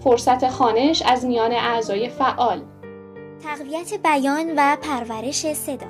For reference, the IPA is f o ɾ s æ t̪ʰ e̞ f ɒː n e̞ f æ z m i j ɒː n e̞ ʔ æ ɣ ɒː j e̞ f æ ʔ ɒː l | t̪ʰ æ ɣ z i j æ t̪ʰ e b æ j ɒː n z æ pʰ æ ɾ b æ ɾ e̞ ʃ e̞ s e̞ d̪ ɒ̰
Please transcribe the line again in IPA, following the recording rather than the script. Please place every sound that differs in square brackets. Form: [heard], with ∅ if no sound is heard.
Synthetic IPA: f o ɾ s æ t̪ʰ e̞ [x] ɒː n e̞ [ʃ] æ z m i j ɒː n e̞ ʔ æ [z] ɒː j e̞ f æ ʔ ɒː l | t̪ʰ æ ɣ [v] i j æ t̪ʰ e b æ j ɒː n [v] æ pʰ æ ɾ [v] æ ɾ e̞ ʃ e̞ s e̞ d̪ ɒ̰